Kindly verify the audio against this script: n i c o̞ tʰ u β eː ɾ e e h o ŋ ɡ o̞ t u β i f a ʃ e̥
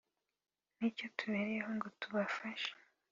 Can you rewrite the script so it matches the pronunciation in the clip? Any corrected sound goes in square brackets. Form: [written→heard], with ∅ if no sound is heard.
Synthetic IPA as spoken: n i c o̞ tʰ u β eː ɾ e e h o ŋ ɡ o̞ t u β [i→a] f a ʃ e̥